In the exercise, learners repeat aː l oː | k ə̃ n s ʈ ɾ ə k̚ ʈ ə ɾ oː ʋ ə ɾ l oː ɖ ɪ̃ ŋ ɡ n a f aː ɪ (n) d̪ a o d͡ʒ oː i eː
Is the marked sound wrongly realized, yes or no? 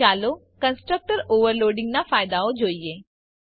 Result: yes